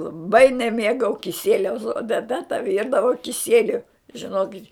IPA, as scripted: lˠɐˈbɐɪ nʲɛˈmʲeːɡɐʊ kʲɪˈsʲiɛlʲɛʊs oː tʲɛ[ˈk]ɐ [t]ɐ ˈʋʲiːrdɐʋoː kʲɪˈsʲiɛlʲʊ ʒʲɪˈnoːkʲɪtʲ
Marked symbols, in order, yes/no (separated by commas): no, yes